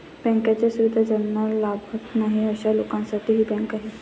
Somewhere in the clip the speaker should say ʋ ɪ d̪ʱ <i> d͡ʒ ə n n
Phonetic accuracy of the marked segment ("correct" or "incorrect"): incorrect